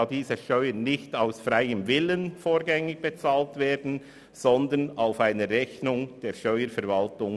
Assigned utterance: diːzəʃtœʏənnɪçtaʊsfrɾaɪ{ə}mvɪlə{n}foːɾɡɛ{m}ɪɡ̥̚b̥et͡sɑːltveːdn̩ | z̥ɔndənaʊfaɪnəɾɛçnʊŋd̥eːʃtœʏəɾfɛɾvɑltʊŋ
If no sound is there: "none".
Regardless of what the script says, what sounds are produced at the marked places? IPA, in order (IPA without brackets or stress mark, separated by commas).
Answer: ə, n, ŋ